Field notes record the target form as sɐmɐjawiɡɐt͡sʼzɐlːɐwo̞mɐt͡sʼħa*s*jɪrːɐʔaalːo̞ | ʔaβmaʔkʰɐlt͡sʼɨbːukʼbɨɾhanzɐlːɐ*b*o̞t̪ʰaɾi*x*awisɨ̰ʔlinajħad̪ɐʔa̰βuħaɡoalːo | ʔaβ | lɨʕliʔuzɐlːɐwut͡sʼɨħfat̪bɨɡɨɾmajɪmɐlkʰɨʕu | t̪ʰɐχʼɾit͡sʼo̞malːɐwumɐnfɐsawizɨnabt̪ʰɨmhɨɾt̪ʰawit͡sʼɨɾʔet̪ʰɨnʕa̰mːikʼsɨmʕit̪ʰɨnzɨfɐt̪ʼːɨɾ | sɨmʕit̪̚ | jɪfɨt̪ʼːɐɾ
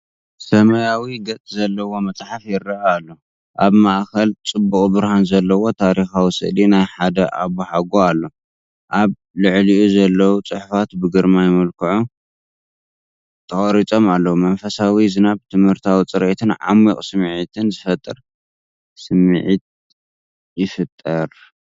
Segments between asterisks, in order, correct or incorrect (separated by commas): incorrect, incorrect, correct